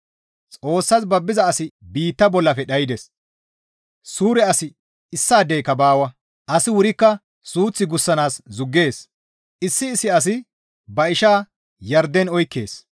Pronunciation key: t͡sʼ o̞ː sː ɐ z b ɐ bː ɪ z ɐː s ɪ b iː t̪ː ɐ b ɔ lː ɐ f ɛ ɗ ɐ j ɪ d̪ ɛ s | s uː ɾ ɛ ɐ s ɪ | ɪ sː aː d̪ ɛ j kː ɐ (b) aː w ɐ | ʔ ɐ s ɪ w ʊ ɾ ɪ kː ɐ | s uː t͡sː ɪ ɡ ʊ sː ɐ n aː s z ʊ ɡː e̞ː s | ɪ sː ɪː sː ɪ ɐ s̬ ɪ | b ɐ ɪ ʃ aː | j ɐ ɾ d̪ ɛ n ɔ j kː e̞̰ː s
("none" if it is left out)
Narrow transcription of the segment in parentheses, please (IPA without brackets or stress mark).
b